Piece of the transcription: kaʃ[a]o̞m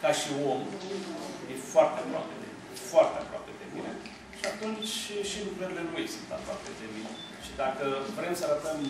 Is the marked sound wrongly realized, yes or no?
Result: yes